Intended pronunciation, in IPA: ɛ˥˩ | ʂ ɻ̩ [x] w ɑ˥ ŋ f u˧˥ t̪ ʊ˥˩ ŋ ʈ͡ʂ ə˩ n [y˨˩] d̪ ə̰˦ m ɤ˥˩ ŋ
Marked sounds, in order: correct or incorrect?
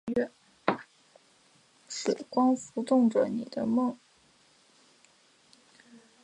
incorrect, incorrect

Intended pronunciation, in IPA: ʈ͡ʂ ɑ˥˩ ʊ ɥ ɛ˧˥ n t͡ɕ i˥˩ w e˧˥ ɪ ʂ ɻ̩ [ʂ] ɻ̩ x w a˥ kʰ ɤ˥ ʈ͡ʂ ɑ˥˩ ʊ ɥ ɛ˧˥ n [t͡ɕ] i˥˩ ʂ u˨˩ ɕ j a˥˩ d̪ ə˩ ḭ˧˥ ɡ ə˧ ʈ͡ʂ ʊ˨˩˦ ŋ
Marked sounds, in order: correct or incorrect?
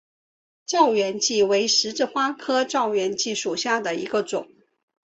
incorrect, correct

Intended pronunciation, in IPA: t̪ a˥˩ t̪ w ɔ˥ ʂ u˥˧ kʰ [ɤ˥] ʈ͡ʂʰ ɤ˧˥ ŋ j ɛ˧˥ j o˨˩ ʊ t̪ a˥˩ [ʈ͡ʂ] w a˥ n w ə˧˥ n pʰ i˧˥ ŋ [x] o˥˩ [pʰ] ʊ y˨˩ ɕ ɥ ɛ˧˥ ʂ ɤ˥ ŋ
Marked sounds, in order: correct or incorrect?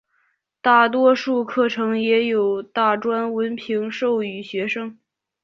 incorrect, correct, incorrect, incorrect

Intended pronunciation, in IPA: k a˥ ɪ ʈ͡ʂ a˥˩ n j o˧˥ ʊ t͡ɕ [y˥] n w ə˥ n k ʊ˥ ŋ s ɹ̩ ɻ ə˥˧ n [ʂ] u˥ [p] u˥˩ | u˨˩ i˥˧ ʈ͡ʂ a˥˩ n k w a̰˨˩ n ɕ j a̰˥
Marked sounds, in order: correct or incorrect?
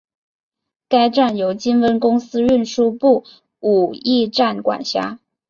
incorrect, correct, correct

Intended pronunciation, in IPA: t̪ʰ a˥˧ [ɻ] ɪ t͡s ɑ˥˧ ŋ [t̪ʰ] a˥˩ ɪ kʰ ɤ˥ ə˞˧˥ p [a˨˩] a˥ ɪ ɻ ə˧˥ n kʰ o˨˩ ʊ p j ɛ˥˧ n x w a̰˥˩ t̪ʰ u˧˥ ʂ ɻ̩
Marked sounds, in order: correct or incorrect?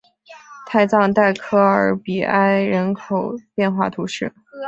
incorrect, incorrect, incorrect

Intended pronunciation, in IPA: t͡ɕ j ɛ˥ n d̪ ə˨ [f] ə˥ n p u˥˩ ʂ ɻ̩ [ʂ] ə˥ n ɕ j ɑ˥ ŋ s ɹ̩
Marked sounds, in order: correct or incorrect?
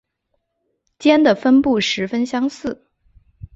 correct, incorrect

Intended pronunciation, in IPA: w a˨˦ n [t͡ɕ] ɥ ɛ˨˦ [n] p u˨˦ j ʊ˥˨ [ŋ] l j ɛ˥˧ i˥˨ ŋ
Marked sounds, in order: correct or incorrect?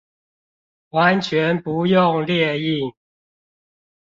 incorrect, correct, correct

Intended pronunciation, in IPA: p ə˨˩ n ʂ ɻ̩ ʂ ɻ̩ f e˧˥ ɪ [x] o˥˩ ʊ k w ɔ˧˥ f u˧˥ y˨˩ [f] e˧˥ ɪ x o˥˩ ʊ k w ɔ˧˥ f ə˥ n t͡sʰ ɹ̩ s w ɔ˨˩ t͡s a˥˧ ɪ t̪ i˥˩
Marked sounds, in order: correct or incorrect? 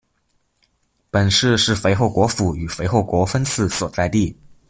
correct, correct

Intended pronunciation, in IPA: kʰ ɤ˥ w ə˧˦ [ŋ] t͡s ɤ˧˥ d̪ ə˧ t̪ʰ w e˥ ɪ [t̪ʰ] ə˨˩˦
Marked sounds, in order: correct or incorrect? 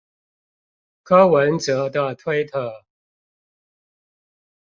incorrect, correct

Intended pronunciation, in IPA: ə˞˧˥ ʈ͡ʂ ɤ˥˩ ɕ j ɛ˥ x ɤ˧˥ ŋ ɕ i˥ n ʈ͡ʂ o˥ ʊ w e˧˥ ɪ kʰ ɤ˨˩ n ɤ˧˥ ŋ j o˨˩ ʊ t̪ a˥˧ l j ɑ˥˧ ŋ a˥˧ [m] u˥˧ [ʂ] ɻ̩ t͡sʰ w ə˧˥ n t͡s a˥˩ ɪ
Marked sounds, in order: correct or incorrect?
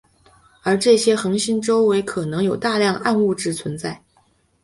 incorrect, incorrect

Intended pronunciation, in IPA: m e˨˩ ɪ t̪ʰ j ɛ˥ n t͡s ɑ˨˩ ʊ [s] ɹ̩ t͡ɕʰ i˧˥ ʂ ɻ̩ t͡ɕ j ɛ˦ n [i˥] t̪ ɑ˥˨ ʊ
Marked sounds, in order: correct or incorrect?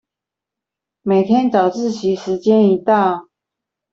incorrect, incorrect

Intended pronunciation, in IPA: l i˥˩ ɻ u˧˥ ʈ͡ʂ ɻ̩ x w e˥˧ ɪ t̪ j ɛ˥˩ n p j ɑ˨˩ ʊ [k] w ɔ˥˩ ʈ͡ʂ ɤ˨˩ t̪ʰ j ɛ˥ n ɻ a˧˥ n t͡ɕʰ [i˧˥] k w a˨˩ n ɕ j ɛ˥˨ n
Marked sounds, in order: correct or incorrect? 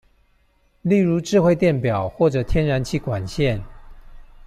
incorrect, incorrect

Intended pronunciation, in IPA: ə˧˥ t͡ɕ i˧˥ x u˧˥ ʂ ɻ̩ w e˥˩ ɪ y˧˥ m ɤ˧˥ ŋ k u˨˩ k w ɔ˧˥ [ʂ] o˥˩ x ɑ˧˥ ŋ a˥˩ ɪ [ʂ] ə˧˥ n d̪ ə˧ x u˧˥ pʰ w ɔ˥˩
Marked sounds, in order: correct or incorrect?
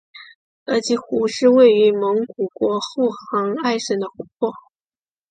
incorrect, correct

